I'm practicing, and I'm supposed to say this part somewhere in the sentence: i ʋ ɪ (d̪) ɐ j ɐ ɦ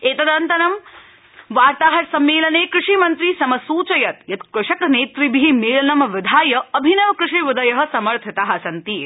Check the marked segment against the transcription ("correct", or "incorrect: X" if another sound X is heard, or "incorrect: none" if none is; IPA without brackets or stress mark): correct